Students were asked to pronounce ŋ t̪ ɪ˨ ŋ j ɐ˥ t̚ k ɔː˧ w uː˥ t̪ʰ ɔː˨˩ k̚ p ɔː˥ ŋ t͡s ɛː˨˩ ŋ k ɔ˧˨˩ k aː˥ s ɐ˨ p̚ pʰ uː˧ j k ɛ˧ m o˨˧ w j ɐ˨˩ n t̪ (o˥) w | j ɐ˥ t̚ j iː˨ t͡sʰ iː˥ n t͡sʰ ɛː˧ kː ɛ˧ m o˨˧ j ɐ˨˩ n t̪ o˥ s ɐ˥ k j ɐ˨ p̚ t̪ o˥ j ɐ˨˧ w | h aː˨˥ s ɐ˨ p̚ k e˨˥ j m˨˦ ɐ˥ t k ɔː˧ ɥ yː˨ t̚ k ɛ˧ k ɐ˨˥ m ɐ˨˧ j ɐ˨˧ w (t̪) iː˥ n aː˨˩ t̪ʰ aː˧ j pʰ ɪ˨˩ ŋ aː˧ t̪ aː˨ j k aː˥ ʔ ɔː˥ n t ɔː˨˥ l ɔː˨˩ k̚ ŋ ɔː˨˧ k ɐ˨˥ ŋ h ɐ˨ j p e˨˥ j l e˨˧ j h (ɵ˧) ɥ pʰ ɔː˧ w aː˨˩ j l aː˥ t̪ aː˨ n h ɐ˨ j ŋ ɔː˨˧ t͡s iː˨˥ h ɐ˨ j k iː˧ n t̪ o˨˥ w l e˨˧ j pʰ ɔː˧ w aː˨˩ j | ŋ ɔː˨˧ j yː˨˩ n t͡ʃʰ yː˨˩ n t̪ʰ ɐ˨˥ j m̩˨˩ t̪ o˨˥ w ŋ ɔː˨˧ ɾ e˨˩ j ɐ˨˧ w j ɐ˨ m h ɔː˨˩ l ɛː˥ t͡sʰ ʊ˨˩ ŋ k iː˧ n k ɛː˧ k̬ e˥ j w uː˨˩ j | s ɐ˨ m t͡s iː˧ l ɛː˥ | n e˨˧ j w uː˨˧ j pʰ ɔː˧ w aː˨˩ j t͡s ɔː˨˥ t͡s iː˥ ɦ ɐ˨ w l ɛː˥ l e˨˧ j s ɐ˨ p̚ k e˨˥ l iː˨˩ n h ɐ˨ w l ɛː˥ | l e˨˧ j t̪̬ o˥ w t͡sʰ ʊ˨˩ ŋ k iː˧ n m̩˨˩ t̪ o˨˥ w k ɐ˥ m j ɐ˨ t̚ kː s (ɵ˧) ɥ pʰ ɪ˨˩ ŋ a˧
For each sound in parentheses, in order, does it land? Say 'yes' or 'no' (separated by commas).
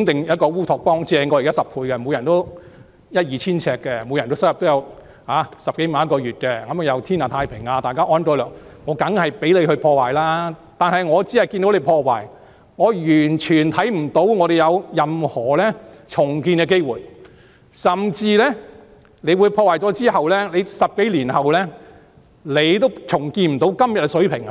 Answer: yes, no, yes, no